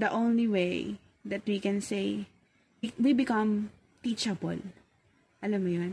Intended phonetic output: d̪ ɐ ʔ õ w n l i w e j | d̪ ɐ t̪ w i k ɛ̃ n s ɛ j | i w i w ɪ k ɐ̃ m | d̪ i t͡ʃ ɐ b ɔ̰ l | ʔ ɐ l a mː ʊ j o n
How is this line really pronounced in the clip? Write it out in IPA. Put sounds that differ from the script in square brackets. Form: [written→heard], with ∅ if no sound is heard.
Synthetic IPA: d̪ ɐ ʔ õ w n l i w e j | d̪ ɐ t̪ w i k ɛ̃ n s [ɛ→e] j | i w i [w→b] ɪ k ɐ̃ m | [d̪→t̪] i t͡ʃ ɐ b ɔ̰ l | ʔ ɐ l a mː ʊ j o n